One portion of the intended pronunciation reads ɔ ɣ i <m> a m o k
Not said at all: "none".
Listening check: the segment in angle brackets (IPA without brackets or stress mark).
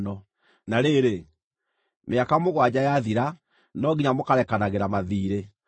ɲ